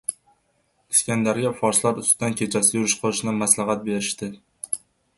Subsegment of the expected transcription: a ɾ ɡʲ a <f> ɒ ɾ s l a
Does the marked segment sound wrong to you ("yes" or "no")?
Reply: no